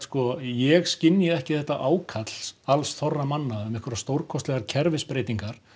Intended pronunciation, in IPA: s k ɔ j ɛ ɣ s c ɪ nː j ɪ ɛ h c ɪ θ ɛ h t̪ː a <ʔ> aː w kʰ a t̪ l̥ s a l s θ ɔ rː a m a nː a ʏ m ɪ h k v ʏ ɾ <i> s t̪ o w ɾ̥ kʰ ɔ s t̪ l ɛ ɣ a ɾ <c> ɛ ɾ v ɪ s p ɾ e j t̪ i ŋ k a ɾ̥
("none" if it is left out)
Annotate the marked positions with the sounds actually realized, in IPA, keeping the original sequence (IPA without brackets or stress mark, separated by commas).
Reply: ʔ, a, cʰ